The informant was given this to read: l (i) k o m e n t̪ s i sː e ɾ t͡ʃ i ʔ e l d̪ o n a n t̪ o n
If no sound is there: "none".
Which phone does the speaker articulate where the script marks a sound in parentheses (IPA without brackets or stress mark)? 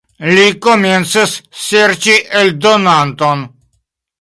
i